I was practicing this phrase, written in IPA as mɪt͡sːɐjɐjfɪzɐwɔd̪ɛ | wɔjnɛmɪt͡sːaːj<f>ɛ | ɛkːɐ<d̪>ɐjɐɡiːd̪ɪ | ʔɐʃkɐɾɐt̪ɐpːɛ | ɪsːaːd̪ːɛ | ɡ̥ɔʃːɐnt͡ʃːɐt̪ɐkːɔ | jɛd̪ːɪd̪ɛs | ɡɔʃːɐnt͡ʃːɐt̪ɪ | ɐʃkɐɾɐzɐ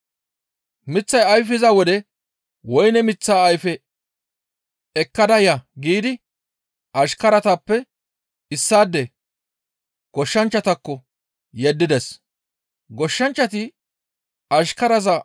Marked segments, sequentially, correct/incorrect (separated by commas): correct, correct